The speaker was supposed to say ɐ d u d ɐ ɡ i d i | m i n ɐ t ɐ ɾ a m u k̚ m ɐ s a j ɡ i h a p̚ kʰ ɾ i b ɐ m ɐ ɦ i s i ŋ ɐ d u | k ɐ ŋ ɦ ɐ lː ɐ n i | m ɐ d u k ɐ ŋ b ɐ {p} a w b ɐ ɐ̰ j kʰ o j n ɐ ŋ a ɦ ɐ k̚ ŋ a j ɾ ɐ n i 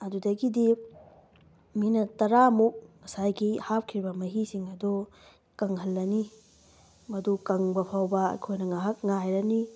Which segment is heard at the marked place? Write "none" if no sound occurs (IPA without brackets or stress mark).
pʰ